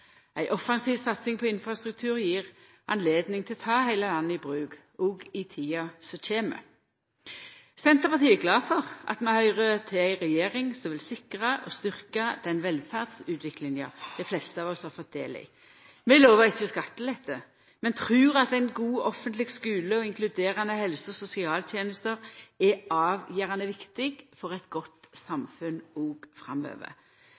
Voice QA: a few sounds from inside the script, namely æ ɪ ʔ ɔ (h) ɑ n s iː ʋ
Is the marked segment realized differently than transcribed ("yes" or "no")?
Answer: yes